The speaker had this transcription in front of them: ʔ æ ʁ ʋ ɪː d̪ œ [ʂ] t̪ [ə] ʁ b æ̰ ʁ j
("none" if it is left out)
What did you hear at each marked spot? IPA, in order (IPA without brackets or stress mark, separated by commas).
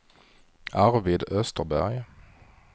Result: s, ə